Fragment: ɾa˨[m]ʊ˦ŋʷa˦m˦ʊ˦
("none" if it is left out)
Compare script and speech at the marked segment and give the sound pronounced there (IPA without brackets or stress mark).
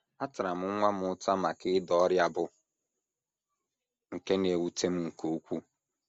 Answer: m